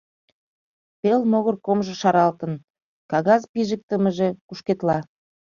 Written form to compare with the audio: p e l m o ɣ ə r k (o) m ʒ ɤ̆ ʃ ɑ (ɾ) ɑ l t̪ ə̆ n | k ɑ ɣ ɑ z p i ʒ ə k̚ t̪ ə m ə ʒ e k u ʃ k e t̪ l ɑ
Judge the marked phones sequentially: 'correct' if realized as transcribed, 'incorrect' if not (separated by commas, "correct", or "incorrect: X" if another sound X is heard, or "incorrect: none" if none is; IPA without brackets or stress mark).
correct, correct